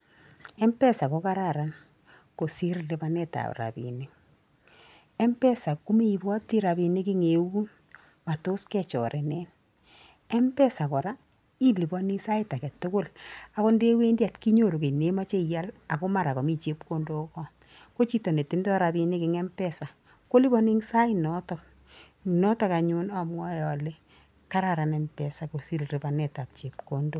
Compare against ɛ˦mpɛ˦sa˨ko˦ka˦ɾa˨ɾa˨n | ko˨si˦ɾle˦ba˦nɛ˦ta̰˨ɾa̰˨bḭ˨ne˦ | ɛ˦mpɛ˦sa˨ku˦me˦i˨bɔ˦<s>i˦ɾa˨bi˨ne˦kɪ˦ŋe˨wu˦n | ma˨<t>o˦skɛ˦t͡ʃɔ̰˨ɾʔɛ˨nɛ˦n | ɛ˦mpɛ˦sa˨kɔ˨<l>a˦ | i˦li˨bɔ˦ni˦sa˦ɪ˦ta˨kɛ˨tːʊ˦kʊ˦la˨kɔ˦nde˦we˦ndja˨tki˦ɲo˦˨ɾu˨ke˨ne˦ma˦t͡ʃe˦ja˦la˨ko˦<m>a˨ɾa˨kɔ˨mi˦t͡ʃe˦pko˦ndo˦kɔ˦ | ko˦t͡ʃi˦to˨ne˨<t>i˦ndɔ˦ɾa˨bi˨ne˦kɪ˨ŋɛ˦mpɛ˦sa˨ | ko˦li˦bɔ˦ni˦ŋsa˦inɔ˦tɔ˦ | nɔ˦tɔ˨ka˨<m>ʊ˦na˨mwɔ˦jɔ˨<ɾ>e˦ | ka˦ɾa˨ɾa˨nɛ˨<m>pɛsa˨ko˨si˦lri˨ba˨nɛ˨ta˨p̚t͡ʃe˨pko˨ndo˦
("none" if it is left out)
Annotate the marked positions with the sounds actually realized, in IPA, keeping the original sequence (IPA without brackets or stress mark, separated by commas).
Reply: t, t, ɾ, m, t, ɲ, l, m